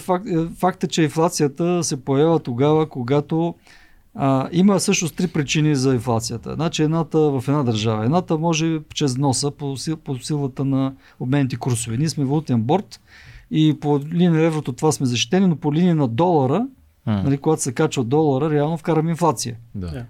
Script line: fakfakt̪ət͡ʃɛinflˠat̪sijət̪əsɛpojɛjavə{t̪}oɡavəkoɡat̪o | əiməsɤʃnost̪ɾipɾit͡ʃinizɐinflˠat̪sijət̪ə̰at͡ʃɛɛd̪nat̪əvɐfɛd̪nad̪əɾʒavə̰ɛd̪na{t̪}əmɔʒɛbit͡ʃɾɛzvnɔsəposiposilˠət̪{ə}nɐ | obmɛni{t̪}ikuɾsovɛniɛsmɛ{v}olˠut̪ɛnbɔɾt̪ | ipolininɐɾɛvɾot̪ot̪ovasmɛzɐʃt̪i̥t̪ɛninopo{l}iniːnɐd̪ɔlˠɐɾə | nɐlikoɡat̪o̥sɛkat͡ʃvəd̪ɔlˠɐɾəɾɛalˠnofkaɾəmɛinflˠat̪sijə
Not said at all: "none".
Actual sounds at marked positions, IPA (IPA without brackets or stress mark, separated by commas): t̪, t̪, ə, t̪, v, l